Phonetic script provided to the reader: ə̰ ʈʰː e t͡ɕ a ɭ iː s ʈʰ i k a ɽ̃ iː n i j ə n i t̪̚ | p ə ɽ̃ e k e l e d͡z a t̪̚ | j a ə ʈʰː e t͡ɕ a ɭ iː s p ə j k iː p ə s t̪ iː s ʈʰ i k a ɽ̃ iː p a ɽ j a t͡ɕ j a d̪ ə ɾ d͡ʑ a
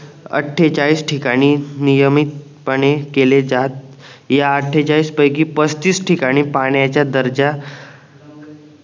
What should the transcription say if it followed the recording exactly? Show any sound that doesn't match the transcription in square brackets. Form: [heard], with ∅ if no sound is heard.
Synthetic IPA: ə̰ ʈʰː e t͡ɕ a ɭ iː s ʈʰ i k a ɽ̃ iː n i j ə [m] i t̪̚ | p ə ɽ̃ e k e l e d͡z a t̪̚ | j a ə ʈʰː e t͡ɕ a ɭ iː s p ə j k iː p ə s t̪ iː s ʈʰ i k a ɽ̃ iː p a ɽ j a t͡ɕ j a d̪ ə ɾ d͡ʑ a